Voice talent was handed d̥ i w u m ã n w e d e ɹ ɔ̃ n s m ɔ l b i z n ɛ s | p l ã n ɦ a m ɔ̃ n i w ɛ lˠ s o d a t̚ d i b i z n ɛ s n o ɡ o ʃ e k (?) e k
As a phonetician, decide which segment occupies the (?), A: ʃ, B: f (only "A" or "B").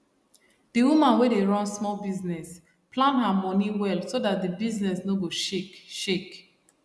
A